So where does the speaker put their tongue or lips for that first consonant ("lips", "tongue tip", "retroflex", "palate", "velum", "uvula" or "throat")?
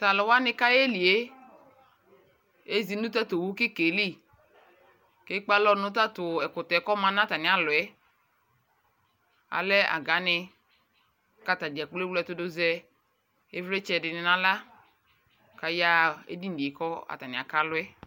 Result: tongue tip